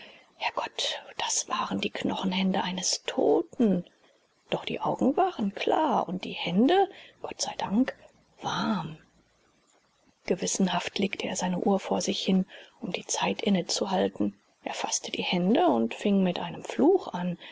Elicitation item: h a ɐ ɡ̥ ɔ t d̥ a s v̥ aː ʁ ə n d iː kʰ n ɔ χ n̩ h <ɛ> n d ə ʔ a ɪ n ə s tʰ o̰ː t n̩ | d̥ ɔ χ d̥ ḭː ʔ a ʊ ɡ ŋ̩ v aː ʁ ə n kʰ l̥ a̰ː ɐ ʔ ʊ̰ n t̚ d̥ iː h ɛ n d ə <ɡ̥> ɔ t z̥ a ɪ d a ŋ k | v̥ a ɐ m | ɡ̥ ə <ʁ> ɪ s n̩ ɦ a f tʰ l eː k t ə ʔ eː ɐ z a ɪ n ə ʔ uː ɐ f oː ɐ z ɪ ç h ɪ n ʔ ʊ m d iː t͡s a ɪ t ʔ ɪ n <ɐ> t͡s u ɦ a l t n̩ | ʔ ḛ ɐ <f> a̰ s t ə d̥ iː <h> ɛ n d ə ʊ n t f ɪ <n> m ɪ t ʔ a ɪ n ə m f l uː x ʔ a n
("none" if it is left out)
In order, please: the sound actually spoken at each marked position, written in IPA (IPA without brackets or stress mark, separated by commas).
ɛ, ɡ̥, v, ə, f, h, ŋ